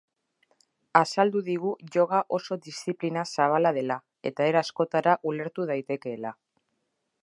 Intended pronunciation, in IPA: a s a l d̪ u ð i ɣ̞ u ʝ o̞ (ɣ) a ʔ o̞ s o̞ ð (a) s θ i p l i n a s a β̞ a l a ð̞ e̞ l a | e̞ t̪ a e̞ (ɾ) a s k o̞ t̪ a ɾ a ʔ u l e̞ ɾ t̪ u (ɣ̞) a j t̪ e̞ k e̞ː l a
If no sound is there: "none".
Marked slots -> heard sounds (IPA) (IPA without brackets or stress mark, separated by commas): ɣ, i, ɾ, ð̞